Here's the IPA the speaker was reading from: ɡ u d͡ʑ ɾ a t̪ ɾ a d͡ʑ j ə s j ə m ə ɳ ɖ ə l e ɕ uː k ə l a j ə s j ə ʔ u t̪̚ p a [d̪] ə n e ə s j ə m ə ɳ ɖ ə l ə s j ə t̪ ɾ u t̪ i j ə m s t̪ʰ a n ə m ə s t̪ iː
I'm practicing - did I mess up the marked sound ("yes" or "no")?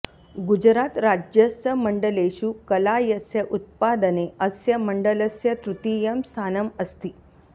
no